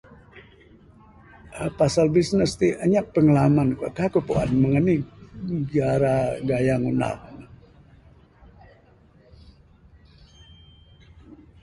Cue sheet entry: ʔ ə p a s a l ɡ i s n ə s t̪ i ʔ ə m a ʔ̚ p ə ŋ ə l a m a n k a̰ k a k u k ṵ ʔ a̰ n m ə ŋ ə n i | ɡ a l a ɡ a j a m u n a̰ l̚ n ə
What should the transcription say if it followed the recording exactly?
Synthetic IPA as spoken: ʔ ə p a s a l b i s n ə s t̪ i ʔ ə ɲ a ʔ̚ p ə ŋ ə l a m a n k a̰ k a k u p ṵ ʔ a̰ n m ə ŋ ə n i | ɡ a ɾ a ɡ a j a ŋ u n a̰ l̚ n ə